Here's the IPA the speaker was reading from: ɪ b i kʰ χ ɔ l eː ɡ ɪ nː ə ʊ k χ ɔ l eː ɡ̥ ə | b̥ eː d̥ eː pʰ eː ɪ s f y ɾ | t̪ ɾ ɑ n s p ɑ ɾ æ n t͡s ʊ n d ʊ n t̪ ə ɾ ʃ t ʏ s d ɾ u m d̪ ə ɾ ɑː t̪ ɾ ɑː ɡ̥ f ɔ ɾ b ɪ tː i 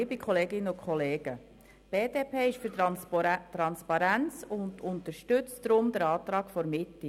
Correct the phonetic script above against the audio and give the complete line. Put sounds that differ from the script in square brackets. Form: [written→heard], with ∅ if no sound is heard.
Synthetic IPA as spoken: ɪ b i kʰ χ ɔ l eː ɡ ɪ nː ə ʊ k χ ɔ l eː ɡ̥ ə | b̥ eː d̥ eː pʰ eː ɪ [s→ʃ] f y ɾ | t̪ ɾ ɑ n s p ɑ ɾ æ n t͡s ʊ n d ʊ n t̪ ə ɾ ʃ t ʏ [s→t͡s] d ɾ [u→ʊ] m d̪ ə ɾ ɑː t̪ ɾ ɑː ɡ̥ f ɔ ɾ [b→m] ɪ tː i